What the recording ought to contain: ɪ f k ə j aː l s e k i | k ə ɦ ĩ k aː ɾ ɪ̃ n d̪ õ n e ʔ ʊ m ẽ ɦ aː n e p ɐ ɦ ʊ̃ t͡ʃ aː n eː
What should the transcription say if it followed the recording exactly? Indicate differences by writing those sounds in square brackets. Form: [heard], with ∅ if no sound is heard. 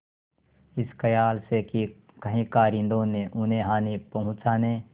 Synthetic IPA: ɪ [s] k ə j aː l s e k i | k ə ɦ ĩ k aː ɾ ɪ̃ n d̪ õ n e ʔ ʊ [n] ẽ ɦ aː n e p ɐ ɦ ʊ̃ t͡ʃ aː n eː